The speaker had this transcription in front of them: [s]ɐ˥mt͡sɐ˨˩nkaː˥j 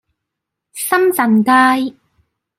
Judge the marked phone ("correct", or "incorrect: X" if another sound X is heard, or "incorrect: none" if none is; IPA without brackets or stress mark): correct